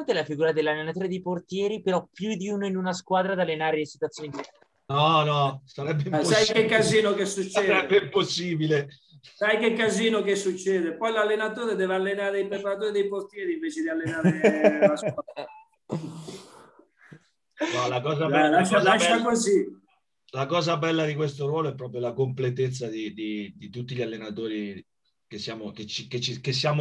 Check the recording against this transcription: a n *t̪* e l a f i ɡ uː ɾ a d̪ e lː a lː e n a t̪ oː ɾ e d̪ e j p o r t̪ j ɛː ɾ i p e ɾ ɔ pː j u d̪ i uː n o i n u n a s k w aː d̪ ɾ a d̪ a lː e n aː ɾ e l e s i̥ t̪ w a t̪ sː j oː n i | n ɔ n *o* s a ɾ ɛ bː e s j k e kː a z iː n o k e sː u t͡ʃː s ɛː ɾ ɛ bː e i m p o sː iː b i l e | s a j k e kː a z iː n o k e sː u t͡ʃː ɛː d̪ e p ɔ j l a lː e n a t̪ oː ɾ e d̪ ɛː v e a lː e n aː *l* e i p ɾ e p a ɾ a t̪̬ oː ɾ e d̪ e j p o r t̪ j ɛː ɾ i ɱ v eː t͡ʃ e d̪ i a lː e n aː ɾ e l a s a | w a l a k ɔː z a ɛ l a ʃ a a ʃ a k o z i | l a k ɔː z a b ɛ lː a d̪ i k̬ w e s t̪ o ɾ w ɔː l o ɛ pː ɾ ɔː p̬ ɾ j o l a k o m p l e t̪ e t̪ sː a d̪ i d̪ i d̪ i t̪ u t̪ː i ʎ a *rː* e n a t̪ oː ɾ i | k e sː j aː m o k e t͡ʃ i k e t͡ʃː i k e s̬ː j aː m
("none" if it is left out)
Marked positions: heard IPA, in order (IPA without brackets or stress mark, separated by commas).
t̪, ɔ, ɾ, lː